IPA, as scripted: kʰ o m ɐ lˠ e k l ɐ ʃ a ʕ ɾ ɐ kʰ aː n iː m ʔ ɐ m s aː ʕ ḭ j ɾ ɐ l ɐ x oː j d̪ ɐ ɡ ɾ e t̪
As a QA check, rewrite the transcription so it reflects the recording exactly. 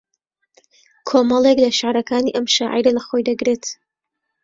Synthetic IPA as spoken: kʰ o m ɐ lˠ e k l ɐ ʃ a ʕ ɾ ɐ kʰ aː n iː ʔ ɐ m ʃ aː ʕ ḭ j ɾ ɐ l ɐ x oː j d̪ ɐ ɡ ɾ e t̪